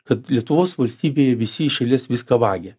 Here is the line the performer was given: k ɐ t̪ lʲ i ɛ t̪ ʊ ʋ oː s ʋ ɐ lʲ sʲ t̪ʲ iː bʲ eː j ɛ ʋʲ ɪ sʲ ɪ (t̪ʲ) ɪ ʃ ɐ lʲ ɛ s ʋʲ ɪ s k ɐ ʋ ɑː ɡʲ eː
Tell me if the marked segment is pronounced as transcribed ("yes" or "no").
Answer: no